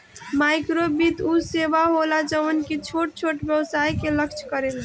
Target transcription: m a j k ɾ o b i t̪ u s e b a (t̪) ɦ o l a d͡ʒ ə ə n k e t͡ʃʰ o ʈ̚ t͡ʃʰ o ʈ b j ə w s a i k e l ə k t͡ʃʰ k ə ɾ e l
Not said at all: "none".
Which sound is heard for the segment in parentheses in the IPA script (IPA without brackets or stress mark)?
none